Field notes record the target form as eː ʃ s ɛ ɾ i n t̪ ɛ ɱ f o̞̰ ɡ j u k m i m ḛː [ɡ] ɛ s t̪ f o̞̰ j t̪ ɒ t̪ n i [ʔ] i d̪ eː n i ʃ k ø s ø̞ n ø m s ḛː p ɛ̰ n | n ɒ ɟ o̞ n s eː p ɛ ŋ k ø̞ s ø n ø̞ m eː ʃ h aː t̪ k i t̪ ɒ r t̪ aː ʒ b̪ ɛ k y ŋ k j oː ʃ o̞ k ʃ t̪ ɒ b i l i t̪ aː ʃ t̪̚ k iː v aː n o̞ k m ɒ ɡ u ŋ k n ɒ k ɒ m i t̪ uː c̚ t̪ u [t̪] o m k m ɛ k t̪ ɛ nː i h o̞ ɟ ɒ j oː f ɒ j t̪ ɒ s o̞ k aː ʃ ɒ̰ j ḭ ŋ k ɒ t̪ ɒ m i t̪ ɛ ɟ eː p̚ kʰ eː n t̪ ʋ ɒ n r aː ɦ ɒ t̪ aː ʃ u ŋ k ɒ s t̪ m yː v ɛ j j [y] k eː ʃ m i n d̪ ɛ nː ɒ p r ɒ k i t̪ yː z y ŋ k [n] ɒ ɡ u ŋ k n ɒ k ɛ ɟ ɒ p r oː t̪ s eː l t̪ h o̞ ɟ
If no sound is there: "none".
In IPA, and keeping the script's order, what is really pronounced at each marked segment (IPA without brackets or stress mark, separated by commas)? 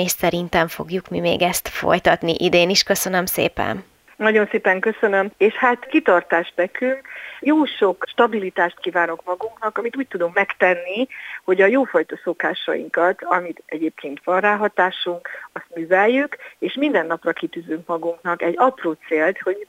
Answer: ɡ, ʔ, d̪, y, m